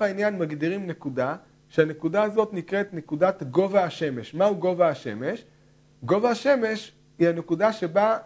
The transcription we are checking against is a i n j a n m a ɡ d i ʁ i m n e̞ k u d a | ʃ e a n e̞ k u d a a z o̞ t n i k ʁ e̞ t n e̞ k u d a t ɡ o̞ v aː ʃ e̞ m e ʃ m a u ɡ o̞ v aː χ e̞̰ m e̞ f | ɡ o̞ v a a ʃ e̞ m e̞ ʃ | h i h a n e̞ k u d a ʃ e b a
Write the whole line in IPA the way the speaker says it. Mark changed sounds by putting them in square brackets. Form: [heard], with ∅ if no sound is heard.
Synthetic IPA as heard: a i n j a n m a ɡ d i ʁ i m n e̞ k u d a | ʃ e a n e̞ k u d a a z o̞ t n i k ʁ e̞ t n e̞ k u d a t ɡ o̞ v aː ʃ e̞ m e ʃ m a u ɡ o̞ v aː [ʃ] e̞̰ m e̞ [ʃ] | ɡ o̞ v a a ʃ e̞ m e̞ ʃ | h i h a n e̞ k u d a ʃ e b a